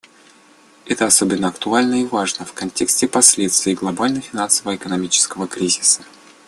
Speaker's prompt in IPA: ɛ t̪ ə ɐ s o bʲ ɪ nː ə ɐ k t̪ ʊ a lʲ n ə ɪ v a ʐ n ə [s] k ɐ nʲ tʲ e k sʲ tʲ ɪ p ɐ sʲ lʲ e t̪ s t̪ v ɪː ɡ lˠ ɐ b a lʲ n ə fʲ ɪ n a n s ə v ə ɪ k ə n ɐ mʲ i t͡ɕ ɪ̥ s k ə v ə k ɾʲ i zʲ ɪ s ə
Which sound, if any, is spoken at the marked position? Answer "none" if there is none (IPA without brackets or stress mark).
f